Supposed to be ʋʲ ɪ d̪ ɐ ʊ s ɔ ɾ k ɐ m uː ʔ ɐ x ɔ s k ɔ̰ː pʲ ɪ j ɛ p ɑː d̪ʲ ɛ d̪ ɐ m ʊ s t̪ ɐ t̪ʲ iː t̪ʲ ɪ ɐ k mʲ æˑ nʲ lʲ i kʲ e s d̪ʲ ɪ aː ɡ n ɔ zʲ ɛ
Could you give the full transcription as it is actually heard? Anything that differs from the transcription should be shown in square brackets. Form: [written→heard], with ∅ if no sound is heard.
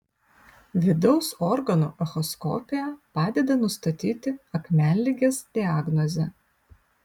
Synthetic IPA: ʋʲ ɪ d̪ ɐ ʊ s ɔ ɾ [k→ɡ] ɐ [m→n] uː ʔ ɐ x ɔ s k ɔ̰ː pʲ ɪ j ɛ p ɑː d̪ʲ ɛ d̪ ɐ [m→n] ʊ s t̪ ɐ t̪ʲ iː t̪ʲ ɪ ɐ k mʲ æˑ nʲ lʲ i [kʲ→ɡʲ] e s d̪ʲ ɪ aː ɡ n ɔ zʲ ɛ